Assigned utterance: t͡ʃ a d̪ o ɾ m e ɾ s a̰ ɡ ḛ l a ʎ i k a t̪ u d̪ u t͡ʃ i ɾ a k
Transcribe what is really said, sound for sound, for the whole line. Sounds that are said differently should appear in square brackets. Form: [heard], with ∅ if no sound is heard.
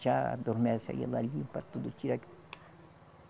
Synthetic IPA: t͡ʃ a d̪ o ɾ m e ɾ s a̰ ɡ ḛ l a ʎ i [p] a t̪ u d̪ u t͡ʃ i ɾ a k